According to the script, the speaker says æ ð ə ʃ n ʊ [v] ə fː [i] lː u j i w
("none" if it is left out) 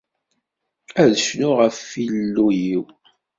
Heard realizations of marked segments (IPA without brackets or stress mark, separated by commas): ʁ, i